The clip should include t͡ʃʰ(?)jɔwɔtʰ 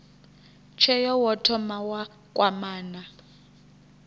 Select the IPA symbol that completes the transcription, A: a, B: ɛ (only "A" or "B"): B